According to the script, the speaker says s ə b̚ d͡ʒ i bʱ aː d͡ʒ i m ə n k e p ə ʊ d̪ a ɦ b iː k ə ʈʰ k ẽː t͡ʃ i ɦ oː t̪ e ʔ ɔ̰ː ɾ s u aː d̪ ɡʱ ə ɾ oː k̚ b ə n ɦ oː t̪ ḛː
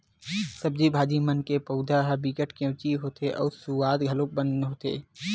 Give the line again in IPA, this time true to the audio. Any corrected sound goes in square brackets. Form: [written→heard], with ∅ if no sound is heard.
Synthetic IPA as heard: s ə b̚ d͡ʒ i bʱ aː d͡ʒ i m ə n k e p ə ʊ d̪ a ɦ b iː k ə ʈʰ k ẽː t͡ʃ i ɦ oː t̪ e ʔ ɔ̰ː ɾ s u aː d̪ ɡʱ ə [ɾ→l] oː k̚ b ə n ɦ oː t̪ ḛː

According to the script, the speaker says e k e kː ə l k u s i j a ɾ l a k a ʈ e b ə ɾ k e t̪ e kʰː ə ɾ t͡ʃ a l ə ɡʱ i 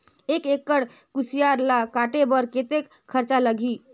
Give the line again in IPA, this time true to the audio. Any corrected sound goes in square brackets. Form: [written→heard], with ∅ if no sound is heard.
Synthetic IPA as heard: e k e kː ə [l→ɽ] k u s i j a ɾ l a k a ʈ e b ə ɾ k e t̪ e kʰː ə ɾ t͡ʃ a l ə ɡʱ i

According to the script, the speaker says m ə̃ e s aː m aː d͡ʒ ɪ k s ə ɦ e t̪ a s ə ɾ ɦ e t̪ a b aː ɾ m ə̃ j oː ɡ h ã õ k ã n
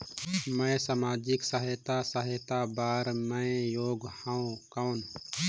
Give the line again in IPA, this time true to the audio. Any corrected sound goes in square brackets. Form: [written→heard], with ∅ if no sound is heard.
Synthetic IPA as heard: m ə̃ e s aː m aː d͡ʒ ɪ k s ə ɦ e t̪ a s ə [ɾ→∅] ɦ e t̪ a b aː ɾ m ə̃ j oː ɡ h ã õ k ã n

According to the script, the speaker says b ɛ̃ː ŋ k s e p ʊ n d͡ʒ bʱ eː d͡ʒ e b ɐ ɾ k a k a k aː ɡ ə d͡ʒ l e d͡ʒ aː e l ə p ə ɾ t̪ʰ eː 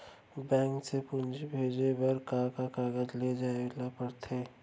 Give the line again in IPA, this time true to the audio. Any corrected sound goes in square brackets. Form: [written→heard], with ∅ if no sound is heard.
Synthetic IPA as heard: b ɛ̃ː ŋ k s e p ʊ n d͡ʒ bʱ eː d͡ʒ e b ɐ ɾ k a k a k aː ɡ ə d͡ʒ l e d͡ʒ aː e l [ə→a] p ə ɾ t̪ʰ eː

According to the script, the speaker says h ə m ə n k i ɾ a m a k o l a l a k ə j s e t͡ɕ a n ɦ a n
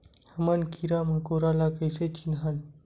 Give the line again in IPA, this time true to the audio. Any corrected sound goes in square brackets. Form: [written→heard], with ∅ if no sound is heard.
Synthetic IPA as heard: h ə m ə n k i ɾ a m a k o [l→ɾ] a l a k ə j s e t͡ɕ [a→i] n ɦ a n

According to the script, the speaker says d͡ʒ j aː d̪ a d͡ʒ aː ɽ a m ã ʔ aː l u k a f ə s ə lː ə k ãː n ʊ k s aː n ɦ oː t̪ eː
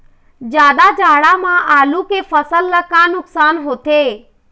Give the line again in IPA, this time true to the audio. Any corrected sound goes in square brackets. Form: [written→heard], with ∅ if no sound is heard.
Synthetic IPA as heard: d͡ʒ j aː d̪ a d͡ʒ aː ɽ a m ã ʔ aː l u k [a→e] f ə s ə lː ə k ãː n ʊ k s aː n ɦ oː t̪ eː

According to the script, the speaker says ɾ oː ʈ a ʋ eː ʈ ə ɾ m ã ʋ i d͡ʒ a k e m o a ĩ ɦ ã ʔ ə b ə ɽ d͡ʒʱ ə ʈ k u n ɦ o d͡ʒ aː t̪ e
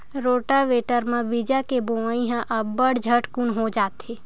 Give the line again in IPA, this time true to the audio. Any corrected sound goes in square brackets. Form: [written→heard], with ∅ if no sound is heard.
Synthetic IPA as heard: ɾ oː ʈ a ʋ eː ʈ ə ɾ m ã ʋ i d͡ʒ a k e [m→b] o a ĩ ɦ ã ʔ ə b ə ɽ d͡ʒʱ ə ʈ k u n ɦ o d͡ʒ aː t̪ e

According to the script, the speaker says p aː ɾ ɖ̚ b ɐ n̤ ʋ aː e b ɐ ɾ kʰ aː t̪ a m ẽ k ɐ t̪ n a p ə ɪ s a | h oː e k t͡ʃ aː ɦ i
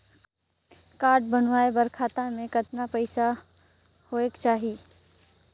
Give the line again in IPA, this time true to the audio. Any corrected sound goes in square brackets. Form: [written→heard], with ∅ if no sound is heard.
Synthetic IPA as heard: [p→k] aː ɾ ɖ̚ b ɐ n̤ ʋ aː e b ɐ ɾ kʰ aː t̪ a m ẽ k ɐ t̪ n a p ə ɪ s a | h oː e k t͡ʃ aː ɦ i

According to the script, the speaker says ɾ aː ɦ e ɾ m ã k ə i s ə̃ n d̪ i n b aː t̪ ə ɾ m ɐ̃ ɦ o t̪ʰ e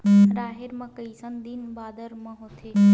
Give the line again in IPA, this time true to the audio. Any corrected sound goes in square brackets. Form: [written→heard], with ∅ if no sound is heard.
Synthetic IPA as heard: ɾ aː ɦ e ɾ m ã k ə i s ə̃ n d̪ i n b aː [t̪→d̪] ə ɾ m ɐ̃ ɦ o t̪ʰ e

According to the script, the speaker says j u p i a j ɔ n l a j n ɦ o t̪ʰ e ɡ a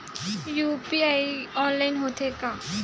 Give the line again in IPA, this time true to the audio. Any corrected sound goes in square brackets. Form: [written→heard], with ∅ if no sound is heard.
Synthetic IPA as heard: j u p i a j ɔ n l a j n ɦ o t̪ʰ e [ɡ→k] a

